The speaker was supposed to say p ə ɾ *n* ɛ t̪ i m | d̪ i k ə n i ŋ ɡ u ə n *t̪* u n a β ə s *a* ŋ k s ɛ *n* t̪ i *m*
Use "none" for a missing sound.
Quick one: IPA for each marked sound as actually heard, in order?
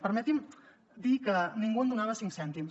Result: m, d̪, i, n, m

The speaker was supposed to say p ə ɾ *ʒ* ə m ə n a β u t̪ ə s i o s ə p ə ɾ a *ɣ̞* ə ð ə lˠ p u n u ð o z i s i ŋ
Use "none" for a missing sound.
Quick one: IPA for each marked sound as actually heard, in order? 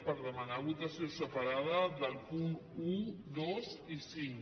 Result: ð, ð̞

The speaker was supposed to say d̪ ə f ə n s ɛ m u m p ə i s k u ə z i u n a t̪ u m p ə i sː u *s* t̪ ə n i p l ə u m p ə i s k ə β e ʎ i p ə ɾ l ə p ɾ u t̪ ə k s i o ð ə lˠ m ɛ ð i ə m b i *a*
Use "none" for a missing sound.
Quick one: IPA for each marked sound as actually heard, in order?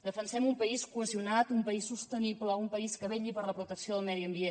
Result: s, e

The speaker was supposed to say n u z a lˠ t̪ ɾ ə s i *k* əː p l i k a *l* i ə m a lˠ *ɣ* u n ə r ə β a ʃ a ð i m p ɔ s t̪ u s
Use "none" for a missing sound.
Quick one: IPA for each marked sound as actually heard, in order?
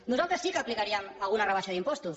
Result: k, ɾ, ɣ

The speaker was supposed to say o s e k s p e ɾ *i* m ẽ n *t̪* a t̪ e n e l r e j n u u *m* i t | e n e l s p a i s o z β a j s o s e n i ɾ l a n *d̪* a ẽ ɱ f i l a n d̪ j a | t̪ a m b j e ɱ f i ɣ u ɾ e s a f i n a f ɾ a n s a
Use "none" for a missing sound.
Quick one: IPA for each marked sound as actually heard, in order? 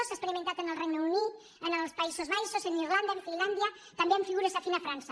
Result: i, t̪, n, d̪

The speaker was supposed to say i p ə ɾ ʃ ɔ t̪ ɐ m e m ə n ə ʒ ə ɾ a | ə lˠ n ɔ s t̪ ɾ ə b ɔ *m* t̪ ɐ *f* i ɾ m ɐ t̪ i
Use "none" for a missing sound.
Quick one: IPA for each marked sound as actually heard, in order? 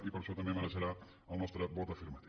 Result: none, f

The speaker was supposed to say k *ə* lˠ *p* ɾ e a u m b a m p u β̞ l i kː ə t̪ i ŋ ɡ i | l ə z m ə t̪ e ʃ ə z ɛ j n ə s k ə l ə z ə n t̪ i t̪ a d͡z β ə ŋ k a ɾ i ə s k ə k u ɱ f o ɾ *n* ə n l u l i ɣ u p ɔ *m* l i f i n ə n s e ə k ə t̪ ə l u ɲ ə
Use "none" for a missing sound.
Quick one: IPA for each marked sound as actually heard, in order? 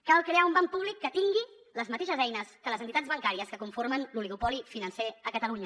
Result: a, k, m, none

